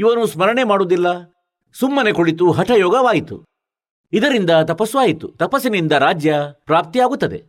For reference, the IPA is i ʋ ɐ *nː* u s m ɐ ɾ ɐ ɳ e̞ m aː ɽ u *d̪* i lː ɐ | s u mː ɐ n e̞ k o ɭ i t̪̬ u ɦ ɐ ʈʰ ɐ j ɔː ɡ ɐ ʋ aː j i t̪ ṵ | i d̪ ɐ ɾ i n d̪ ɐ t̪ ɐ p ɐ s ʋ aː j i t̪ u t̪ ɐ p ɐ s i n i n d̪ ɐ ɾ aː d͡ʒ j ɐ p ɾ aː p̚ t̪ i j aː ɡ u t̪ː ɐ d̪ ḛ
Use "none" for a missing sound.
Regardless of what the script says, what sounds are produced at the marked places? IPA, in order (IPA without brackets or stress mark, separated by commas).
n, d̪